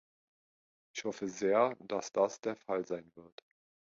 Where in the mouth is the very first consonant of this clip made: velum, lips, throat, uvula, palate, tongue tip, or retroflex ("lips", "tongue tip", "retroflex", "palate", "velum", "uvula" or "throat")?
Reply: palate